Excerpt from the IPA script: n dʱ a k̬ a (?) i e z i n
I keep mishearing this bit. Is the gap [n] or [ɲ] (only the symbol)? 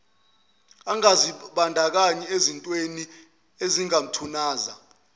ɲ